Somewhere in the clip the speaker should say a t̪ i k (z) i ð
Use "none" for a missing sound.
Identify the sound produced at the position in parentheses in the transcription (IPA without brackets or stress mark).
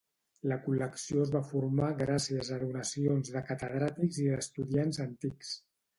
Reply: z